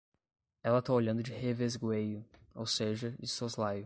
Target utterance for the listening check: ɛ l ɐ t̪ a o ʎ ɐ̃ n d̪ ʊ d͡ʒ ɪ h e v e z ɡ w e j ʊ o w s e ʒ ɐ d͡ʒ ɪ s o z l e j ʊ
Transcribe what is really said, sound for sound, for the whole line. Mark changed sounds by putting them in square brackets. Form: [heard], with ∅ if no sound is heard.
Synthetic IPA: ɛ l ɐ t̪ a o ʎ ɐ̃ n d̪ ʊ d͡ʒ ɪ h e v e z ɡ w e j ʊ o w s e ʒ ɐ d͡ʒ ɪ s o z l [a] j ʊ

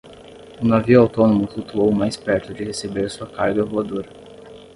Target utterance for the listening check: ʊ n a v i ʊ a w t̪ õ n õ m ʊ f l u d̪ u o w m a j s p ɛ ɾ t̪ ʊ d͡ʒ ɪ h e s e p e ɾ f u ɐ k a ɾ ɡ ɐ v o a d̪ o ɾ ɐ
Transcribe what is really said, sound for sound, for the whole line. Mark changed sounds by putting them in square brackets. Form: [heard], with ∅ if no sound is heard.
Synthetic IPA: ʊ n a v i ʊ a w t̪ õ n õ m ʊ f l u [t̪] u o w m a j s p ɛ ɾ t̪ ʊ d͡ʒ ɪ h e s e [b] e ɾ [s] u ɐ k a ɾ ɡ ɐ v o a d̪ o ɾ ɐ

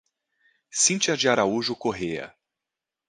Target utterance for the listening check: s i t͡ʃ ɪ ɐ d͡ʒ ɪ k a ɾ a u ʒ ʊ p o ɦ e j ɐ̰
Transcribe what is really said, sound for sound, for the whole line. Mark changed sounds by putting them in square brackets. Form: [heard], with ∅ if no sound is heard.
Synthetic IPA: s [ĩ] t͡ʃ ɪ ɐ d͡ʒ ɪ [∅] a ɾ a u ʒ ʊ [k] o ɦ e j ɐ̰

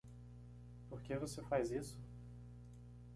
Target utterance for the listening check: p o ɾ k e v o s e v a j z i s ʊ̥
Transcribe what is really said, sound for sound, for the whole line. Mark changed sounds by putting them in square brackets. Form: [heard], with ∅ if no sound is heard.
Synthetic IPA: p o ɾ k e v o s e [f] a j z i s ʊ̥

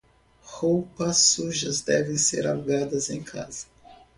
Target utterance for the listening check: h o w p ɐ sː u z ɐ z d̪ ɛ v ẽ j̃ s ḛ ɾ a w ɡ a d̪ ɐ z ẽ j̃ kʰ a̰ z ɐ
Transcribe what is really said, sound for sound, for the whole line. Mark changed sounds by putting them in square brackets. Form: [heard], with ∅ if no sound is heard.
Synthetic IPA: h o w p ɐ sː u [ʒ] ɐ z d̪ ɛ v ẽ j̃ s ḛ ɾ a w ɡ a d̪ ɐ z ẽ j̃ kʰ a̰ z ɐ

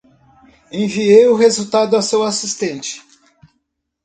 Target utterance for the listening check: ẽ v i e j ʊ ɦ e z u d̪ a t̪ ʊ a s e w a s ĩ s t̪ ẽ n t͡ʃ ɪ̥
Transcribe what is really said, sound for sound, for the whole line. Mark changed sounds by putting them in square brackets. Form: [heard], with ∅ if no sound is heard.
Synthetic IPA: ẽ v i e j ʊ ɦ e z u [t̪] a [d̪] ʊ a s e w a s [i] s t̪ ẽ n t͡ʃ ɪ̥

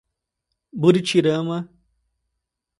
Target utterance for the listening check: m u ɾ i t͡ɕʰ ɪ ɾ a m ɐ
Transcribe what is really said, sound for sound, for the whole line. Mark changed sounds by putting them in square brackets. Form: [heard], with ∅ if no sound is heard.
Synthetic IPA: [b] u ɾ i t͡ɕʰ [i] ɾ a m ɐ

